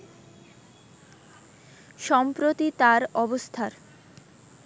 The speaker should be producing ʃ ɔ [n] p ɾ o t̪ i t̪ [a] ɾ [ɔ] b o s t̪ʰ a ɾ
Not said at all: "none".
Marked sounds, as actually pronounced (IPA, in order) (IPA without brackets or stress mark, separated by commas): m, a, ɔ